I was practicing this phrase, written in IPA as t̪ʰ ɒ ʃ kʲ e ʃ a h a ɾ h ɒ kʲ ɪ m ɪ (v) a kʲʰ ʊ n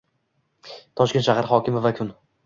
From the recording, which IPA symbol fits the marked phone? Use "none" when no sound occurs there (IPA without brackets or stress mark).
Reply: v